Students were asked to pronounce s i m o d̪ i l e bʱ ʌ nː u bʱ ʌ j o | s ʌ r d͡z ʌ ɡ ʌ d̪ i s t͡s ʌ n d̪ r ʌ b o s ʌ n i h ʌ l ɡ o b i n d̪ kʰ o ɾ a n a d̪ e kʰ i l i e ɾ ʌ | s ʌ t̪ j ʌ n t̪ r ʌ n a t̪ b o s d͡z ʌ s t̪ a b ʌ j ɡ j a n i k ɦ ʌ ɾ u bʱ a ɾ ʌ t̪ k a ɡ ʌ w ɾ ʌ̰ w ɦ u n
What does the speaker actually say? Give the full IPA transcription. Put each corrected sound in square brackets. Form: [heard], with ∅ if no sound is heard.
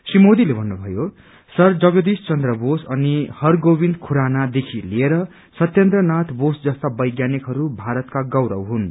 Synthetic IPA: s i m o d̪ i l e bʱ ʌ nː u bʱ ʌ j o | s ʌ r d͡z ʌ ɡ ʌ d̪ i s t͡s ʌ n d̪ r ʌ b o s ʌ n i h ʌ [r] ɡ o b i n d̪ kʰ [u] ɾ a n a d̪ e kʰ i l i e ɾ ʌ | s ʌ t̪ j ʌ n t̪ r ʌ n a t̪ b o s d͡z ʌ s t̪ a b ʌ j ɡ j a n i k ɦ ʌ ɾ u bʱ a ɾ ʌ t̪ k a ɡ ʌ w ɾ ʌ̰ w ɦ u n